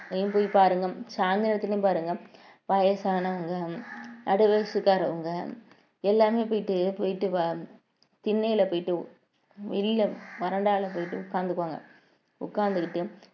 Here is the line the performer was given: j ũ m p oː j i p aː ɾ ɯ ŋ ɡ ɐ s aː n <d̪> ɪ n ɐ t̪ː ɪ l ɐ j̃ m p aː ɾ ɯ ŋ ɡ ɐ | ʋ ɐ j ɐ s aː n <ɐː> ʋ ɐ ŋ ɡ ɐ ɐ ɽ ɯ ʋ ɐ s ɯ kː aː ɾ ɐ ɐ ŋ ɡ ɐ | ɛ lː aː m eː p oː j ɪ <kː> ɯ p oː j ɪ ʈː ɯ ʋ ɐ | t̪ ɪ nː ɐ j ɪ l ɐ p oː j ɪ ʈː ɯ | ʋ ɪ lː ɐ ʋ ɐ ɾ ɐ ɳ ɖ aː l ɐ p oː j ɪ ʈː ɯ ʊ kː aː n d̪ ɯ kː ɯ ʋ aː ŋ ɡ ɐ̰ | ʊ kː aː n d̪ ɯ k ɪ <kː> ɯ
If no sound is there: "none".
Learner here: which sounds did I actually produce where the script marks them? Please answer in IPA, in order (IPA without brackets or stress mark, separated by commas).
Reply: d̪, ɐ, ʈː, ʈː